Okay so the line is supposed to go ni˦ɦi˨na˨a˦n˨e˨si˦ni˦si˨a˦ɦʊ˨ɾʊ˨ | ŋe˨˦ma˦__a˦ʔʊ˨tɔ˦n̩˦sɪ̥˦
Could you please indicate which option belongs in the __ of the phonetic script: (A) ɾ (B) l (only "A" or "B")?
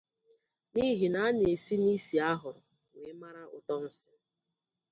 A